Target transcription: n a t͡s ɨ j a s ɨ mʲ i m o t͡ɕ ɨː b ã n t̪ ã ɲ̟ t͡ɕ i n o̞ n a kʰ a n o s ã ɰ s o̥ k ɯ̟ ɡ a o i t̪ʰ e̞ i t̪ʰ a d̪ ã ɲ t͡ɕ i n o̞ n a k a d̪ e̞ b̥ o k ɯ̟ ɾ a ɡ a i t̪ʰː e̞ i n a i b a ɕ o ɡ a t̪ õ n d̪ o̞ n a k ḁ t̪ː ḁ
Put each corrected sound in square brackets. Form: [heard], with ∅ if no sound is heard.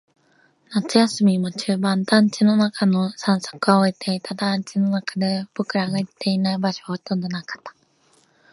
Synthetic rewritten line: n a t͡s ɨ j a s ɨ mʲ i m o t͡ɕ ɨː b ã n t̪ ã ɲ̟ t͡ɕ i n o̞ n a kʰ a n o s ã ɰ s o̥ k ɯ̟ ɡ a o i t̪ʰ e̞ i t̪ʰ a d̪ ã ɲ t͡ɕ i n o̞ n a k a d̪ e̞ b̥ o k ɯ̟ ɾ a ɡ a i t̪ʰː e̞ i n a i b a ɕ o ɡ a t̪ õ n d̪ o̞ n a k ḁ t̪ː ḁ